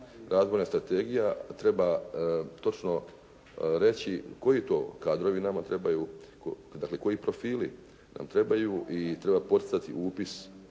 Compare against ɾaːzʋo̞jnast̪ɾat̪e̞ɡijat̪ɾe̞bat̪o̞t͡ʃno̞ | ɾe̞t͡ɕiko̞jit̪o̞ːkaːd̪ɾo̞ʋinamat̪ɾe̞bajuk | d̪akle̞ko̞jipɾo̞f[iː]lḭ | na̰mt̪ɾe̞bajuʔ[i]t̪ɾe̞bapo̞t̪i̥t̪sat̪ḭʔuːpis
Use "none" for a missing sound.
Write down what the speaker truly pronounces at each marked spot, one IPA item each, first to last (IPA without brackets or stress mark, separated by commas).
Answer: iː, i